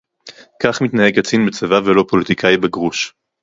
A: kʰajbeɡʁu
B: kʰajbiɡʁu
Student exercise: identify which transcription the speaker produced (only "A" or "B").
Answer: A